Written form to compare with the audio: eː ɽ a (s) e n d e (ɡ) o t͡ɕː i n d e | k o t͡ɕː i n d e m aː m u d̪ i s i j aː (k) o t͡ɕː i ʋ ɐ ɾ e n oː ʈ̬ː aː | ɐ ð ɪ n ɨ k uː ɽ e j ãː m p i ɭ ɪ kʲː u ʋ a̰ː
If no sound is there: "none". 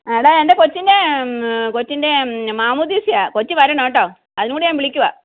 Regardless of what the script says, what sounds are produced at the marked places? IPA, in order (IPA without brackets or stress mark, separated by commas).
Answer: none, k, k